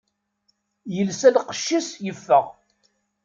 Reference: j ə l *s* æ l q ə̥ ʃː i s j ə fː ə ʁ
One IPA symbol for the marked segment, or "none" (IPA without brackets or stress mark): s